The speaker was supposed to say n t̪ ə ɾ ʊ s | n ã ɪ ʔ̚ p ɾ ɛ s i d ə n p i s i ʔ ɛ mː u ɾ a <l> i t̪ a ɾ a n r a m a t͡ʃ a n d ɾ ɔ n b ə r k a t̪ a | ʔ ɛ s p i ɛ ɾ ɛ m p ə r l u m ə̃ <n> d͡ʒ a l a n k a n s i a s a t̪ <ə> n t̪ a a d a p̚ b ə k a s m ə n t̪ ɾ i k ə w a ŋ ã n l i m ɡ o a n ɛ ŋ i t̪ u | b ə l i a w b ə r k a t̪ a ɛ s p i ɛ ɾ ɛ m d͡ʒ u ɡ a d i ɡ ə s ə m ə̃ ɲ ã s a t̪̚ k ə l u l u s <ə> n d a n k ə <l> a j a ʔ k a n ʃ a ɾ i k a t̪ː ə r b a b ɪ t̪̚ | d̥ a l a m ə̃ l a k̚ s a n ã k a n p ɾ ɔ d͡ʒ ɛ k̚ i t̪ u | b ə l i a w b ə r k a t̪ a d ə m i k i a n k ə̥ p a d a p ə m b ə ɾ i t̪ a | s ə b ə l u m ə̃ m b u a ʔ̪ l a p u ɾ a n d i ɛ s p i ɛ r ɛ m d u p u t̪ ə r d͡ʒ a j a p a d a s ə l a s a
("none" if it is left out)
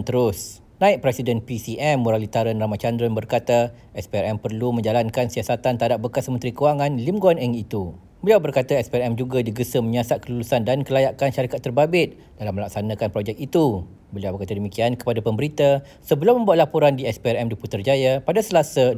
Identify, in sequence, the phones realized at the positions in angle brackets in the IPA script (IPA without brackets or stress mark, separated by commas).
l, ɲ, a, a, l